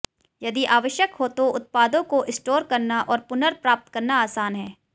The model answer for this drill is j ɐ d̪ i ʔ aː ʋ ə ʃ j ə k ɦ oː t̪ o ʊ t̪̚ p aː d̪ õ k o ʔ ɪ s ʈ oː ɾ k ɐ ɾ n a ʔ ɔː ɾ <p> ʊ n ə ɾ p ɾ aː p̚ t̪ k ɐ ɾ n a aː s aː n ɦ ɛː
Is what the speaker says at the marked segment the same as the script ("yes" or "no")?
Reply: yes